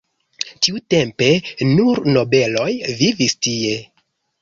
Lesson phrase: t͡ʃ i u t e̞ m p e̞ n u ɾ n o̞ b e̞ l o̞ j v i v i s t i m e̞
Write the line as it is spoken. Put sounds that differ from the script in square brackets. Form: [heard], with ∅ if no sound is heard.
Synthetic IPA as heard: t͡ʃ i u t e̞ m p e̞ n u ɾ n o̞ b e̞ l o̞ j v i v i s t i [∅] e̞